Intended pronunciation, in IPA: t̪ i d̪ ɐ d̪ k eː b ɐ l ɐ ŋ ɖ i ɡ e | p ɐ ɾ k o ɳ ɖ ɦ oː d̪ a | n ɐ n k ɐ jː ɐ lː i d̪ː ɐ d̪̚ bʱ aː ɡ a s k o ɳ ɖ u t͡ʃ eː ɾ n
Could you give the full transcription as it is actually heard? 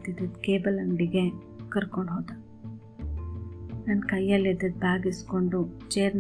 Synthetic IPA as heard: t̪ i d̪ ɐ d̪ k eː b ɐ l ɐ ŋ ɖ i ɡ e | k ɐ ɾ k o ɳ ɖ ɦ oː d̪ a | n ɐ n k ɐ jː ɐ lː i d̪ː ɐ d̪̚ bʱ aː ɡ i s k o ɳ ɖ u t͡ʃ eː ɾ n